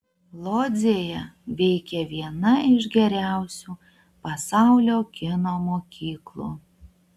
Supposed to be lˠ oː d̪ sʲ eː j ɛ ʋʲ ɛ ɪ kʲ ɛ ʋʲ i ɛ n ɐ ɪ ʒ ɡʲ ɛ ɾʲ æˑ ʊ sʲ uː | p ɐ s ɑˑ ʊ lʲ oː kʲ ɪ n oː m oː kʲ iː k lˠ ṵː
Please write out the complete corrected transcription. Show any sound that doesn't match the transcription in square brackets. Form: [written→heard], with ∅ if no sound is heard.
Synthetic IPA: lˠ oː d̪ [sʲ→zʲ] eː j ɛ ʋʲ ɛ ɪ kʲ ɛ ʋʲ i ɛ n ɐ ɪ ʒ ɡʲ ɛ ɾʲ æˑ ʊ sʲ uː | p ɐ s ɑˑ ʊ lʲ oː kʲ ɪ n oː m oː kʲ iː k lˠ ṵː

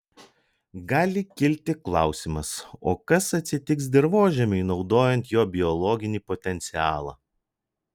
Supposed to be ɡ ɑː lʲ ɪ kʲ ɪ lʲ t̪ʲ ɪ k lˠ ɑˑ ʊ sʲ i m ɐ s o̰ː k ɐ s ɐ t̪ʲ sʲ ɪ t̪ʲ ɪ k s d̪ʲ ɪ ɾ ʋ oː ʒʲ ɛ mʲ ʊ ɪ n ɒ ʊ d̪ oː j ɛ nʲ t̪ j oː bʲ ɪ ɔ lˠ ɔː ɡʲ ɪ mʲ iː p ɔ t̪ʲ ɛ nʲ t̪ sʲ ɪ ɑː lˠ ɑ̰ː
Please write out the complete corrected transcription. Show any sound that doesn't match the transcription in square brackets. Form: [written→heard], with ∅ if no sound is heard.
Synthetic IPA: ɡ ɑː lʲ ɪ kʲ ɪ lʲ t̪ʲ ɪ k lˠ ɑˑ ʊ sʲ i m ɐ s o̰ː k ɐ s ɐ t̪ʲ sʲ ɪ t̪ʲ ɪ k s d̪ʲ ɪ ɾ ʋ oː ʒʲ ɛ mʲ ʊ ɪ n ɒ ʊ d̪ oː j ɛ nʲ t̪ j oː bʲ ɪ ɔ lˠ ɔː ɡʲ ɪ [mʲ→nʲ] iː p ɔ t̪ʲ ɛ nʲ t̪ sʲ ɪ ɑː lˠ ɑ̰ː

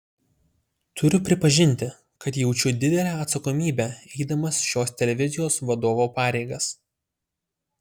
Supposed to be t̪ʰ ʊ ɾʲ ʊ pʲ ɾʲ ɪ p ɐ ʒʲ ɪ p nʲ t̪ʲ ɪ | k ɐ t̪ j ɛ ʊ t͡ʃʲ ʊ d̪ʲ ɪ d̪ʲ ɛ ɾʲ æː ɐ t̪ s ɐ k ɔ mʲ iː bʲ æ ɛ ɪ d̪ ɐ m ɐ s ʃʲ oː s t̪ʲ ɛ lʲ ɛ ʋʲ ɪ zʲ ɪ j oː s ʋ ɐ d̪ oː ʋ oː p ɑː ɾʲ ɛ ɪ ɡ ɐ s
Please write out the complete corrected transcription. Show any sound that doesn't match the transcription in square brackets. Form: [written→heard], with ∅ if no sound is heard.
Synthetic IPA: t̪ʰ ʊ ɾʲ ʊ pʲ ɾʲ ɪ p ɐ ʒʲ ɪ [p→∅] nʲ t̪ʲ ɪ | k ɐ t̪ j ɛ ʊ t͡ʃʲ ʊ d̪ʲ ɪ d̪ʲ ɛ [ɾʲ→lʲ] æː ɐ t̪ s ɐ k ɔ mʲ iː bʲ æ ɛ ɪ d̪ ɐ m ɐ s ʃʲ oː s t̪ʲ ɛ lʲ ɛ ʋʲ ɪ zʲ ɪ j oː s ʋ ɐ d̪ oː ʋ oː p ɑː ɾʲ ɛ ɪ ɡ ɐ s

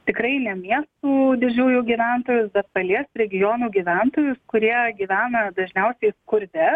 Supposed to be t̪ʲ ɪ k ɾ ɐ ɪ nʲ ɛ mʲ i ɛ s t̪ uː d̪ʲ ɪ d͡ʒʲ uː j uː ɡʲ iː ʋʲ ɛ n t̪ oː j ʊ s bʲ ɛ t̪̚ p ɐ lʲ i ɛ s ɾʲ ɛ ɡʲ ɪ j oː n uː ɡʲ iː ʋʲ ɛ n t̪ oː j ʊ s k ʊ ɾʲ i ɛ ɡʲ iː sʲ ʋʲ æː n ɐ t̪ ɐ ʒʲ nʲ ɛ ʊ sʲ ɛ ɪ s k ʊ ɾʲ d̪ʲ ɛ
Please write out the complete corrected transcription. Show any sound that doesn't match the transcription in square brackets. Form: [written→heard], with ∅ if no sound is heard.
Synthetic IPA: t̪ʲ ɪ k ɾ ɐ ɪ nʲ ɛ mʲ i ɛ s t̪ uː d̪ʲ ɪ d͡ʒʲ uː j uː ɡʲ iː ʋʲ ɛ n t̪ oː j ʊ s bʲ ɛ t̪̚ p ɐ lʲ i ɛ s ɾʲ ɛ ɡʲ ɪ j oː n uː ɡʲ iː ʋʲ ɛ n t̪ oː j ʊ s k ʊ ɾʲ i ɛ ɡʲ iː [sʲ→∅] ʋʲ æː n ɐ [t̪→d̪] ɐ ʒʲ nʲ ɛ ʊ sʲ ɛ ɪ s k ʊ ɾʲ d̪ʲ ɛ

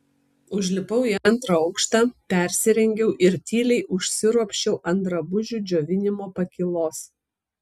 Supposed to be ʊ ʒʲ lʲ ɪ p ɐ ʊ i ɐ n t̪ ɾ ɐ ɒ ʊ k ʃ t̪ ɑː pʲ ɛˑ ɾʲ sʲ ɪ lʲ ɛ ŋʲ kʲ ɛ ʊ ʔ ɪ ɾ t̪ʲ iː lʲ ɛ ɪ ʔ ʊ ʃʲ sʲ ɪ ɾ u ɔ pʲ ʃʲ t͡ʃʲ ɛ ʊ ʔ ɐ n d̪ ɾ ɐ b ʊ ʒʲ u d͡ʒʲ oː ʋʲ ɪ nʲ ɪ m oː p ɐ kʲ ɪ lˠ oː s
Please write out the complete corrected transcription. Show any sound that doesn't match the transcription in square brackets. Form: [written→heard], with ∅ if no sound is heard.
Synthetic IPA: ʊ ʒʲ lʲ ɪ p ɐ ʊ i ɐ n t̪ ɾ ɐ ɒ ʊ k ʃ t̪ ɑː pʲ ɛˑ ɾʲ sʲ ɪ [lʲ→ɾʲ] ɛ ŋʲ [kʲ→ɡʲ] ɛ ʊ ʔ ɪ ɾ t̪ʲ iː lʲ ɛ ɪ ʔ ʊ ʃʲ sʲ ɪ ɾ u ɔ pʲ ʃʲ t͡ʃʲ ɛ ʊ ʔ ɐ n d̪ ɾ ɐ b ʊ ʒʲ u d͡ʒʲ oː ʋʲ ɪ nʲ ɪ m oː p ɐ kʲ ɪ lˠ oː s

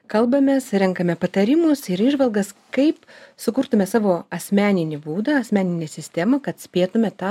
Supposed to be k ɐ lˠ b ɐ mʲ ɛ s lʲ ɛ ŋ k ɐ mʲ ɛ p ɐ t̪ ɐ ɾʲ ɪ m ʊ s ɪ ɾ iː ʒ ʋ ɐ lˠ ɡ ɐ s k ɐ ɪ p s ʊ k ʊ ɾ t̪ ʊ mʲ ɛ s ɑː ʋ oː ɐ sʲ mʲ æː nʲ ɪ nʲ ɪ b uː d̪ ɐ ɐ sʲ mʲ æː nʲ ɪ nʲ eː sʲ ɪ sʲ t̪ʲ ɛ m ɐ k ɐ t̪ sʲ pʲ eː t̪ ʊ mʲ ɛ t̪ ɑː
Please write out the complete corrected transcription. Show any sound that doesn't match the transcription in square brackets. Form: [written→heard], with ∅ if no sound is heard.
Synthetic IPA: k ɐ lˠ b ɐ mʲ ɛ s [lʲ→ɾʲ] ɛ ŋ k ɐ mʲ ɛ p ɐ t̪ ɐ ɾʲ ɪ m ʊ s ɪ ɾ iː ʒ ʋ ɐ lˠ ɡ ɐ s k ɐ ɪ p s ʊ k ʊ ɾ t̪ ʊ mʲ ɛ s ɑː ʋ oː ɐ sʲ mʲ æː nʲ ɪ nʲ ɪ b uː d̪ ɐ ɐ sʲ mʲ æː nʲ ɪ nʲ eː sʲ ɪ sʲ t̪ʲ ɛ m ɐ k ɐ t̪ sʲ pʲ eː t̪ ʊ mʲ ɛ t̪ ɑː

